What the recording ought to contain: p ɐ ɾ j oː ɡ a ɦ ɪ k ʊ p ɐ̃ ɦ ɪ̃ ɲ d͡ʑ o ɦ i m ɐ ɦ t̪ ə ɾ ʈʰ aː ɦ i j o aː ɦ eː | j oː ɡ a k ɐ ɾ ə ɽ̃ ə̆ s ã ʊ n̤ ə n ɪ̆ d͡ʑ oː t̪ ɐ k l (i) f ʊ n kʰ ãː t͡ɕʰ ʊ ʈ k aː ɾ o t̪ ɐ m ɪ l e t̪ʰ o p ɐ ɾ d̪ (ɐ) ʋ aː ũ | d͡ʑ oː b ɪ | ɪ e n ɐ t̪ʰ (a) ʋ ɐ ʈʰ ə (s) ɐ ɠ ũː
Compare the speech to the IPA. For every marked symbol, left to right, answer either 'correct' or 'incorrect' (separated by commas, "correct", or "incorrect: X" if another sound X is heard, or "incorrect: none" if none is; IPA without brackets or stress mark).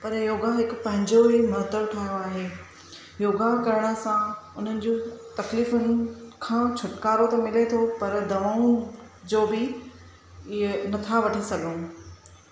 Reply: incorrect: iː, correct, correct, correct